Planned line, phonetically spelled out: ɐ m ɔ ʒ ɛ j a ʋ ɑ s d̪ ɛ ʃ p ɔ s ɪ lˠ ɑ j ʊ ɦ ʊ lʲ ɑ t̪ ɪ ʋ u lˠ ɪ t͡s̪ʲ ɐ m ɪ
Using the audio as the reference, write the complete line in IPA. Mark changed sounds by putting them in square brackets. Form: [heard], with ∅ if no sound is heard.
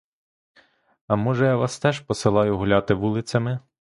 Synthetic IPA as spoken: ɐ m ɔ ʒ ɛ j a ʋ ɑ s [t̪] ɛ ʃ p ɔ s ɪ lˠ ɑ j ʊ ɦ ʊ lʲ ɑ t̪ ɪ ʋ u lˠ ɪ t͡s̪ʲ ɐ m ɪ

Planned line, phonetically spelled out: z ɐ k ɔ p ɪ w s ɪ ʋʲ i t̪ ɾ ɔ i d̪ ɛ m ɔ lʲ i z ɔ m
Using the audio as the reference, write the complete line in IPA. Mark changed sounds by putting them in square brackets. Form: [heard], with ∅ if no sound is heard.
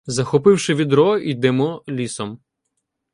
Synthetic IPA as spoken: z ɐ [x] ɔ p ɪ w [ʃ] ɪ ʋʲ i [d̪] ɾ ɔ i d̪ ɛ m ɔ lʲ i [s] ɔ m

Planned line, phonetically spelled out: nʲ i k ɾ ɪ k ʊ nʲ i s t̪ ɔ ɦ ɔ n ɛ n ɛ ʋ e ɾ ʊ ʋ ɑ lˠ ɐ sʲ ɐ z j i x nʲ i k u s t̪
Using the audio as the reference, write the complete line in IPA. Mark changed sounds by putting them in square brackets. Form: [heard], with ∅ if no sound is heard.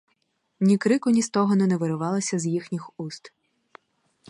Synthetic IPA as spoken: nʲ i k ɾ ɪ k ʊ nʲ i s t̪ ɔ ɦ ɔ n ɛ n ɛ ʋ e ɾ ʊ ʋ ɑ lˠ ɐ sʲ ɐ z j i x nʲ i [x] u s t̪

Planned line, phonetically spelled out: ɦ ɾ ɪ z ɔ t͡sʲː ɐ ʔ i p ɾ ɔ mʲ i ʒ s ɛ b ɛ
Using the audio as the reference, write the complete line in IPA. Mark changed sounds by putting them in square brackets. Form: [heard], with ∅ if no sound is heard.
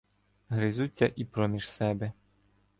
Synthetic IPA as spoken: ɦ ɾ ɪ z [u] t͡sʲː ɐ ʔ i p ɾ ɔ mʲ i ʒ s ɛ b ɛ

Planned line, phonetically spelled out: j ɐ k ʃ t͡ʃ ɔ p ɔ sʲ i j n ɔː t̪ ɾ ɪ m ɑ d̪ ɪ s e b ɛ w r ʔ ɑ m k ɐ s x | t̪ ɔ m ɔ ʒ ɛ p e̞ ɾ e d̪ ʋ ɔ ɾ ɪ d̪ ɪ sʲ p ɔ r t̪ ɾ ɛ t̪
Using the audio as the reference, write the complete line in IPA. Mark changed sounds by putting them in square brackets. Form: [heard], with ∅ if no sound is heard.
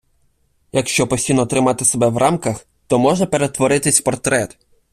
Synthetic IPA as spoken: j ɐ k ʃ t͡ʃ ɔ p ɔ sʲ i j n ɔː t̪ ɾ ɪ m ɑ [t̪] ɪ s e b ɛ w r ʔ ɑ m k ɐ [∅] x | t̪ ɔ m ɔ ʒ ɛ p e̞ ɾ e [t̪] ʋ ɔ ɾ ɪ [t̪] ɪ sʲ p ɔ r t̪ ɾ ɛ t̪

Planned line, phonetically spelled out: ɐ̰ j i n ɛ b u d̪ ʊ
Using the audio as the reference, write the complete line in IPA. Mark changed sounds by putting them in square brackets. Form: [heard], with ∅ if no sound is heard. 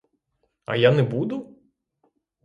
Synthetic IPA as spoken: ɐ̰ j [a] n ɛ b u d̪ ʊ

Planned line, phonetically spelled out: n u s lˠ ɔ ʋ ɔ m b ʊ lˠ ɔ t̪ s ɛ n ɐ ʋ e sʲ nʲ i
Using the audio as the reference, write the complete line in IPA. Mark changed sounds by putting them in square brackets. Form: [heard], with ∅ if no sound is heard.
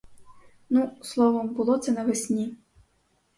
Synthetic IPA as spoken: n u s lˠ ɔ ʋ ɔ m b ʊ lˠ ɔ t̪ s ɛ n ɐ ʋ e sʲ nʲ i

